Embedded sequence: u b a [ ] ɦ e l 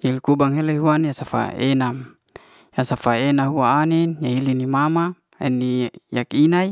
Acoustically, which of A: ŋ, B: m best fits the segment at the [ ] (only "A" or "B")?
A